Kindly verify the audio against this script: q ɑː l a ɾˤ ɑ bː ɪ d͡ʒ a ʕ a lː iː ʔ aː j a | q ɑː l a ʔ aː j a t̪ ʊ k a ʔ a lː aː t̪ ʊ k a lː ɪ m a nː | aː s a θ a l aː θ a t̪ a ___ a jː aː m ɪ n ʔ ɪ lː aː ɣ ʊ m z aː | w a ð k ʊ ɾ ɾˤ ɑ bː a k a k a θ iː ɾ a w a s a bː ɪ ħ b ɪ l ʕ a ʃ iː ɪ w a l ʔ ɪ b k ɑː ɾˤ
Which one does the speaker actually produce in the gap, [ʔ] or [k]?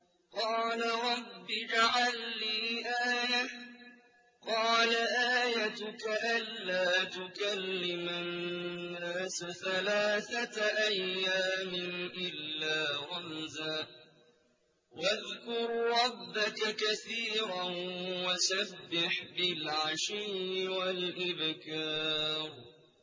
ʔ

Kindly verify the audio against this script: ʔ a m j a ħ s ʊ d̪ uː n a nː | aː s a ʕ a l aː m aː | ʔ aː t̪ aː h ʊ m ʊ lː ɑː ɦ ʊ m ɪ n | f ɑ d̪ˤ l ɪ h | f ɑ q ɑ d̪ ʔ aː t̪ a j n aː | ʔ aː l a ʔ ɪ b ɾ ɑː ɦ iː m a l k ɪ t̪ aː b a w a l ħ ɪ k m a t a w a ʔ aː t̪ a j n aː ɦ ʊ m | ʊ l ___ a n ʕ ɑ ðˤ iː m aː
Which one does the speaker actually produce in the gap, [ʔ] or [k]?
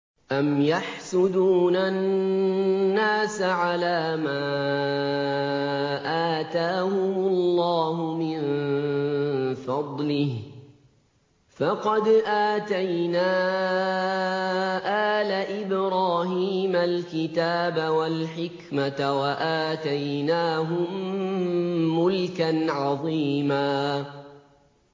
k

